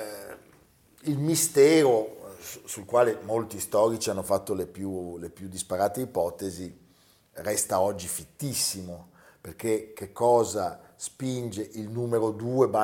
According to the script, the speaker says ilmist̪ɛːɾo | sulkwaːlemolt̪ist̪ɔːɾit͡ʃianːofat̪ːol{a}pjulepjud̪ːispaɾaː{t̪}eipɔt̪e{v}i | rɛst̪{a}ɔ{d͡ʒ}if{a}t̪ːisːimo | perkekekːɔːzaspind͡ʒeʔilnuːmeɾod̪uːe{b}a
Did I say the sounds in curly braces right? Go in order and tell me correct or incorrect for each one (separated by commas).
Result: incorrect, correct, incorrect, correct, incorrect, incorrect, correct